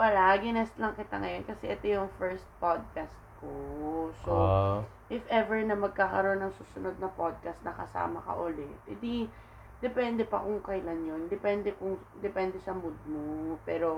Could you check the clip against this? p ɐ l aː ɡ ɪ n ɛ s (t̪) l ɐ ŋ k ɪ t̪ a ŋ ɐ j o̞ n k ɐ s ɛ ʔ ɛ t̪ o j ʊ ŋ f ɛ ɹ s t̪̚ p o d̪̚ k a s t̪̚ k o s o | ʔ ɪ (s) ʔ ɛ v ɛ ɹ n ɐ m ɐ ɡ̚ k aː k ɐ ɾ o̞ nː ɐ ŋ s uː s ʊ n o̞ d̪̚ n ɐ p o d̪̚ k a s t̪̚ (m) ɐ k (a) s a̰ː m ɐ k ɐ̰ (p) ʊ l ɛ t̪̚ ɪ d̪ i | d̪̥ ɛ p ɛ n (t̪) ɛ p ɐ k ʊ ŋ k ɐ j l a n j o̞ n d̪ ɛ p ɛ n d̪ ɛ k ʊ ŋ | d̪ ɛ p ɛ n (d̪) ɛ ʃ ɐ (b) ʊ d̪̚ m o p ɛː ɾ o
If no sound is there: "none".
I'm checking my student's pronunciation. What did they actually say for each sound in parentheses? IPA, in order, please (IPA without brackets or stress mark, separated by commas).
t̪, f, n, ɐ, ʔ, d̪, d̪, m